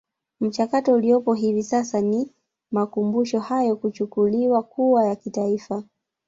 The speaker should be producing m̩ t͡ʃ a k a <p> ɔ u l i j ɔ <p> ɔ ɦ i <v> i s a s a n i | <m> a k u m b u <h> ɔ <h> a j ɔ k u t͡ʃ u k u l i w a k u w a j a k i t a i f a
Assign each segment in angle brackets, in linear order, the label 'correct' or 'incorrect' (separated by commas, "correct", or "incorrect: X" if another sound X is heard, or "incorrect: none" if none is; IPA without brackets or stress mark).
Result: incorrect: t, correct, correct, correct, incorrect: ʃ, correct